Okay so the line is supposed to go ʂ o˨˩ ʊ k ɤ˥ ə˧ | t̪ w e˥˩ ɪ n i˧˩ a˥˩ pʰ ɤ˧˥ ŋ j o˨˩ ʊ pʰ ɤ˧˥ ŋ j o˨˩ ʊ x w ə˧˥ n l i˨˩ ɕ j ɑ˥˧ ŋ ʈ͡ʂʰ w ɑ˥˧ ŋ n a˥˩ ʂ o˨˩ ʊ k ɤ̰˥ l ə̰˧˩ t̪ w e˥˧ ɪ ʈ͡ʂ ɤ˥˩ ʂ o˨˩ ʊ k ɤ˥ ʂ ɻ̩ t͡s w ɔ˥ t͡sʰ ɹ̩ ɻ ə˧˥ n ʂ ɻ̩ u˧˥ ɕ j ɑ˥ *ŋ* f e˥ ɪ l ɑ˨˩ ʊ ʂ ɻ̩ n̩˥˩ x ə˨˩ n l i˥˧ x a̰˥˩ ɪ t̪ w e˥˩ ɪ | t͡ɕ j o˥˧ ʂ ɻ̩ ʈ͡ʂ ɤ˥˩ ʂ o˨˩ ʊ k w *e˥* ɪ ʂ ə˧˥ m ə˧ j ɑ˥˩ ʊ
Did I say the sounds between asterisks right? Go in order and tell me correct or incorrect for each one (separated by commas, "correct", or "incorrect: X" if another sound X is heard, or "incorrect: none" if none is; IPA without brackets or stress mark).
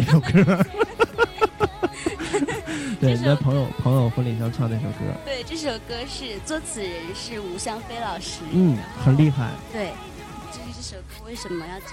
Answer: correct, incorrect: e˥˩